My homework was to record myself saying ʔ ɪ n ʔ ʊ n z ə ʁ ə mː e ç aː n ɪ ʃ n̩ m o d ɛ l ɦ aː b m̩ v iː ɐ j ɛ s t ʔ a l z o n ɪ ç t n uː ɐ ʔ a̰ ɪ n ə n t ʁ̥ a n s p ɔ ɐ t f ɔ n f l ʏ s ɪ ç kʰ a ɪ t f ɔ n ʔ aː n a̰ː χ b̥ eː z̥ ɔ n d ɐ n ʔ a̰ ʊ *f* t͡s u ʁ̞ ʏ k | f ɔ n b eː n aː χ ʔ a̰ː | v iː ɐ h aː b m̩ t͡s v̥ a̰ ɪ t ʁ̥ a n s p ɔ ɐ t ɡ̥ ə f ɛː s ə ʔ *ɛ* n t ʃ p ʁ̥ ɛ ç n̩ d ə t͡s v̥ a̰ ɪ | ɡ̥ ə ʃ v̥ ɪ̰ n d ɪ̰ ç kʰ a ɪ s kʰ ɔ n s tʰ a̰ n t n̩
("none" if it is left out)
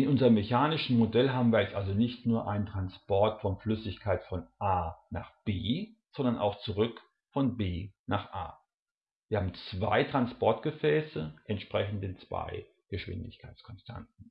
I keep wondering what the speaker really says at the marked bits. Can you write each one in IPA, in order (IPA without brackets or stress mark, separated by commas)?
x, ɛ